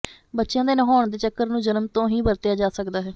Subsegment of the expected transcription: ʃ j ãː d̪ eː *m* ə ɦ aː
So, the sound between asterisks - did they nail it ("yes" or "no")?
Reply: no